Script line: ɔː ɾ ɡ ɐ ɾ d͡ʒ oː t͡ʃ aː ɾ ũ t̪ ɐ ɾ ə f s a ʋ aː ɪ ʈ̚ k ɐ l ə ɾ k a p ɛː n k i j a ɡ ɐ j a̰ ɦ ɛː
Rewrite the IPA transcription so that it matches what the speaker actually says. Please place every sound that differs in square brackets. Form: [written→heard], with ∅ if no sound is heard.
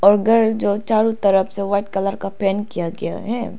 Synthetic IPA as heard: ɔː ɾ ɡ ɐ ɾ d͡ʒ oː t͡ʃ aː ɾ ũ t̪ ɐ ɾ ə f s [a→e] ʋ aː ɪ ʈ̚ k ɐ l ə ɾ k a p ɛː n k i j a ɡ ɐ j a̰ ɦ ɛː